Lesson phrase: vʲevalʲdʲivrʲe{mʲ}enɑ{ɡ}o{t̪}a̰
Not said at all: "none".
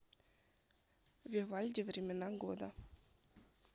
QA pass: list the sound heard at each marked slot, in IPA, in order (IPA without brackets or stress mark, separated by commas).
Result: mʲ, ɡ, d̪